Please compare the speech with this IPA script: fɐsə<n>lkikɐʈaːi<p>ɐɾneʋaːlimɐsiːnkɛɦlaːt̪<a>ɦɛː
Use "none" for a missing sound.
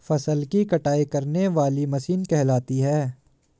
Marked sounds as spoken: none, k, i

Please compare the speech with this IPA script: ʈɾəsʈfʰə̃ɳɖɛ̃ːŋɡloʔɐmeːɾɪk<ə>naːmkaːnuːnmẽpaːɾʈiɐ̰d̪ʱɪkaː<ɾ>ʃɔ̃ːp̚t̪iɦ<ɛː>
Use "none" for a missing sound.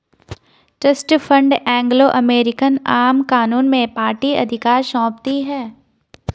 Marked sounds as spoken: ə, ɾ, ɛː

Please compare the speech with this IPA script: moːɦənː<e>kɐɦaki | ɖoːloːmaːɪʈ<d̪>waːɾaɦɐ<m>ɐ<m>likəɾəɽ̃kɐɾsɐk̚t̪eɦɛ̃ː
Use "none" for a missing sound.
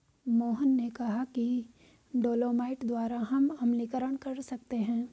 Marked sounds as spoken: e, d̪, m, m

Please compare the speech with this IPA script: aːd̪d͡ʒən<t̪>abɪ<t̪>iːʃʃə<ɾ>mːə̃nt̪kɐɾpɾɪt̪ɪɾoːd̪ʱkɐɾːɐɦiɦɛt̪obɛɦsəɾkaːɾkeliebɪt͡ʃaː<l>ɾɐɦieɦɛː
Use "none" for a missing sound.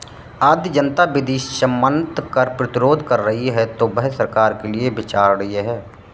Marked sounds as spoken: t̪, d̪, none, ɾ

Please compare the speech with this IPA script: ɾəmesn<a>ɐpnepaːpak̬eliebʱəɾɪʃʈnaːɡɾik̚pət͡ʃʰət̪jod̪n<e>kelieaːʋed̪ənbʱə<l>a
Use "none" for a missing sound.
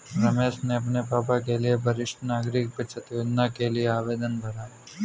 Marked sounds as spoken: e, a, ɾ

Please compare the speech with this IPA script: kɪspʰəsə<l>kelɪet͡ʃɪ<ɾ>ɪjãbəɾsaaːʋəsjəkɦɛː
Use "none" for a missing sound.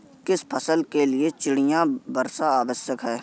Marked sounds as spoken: l, ɽ

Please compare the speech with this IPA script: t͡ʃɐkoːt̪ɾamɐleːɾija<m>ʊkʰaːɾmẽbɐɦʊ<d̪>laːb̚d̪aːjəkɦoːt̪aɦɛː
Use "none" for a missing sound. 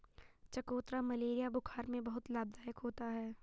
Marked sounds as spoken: b, t̪

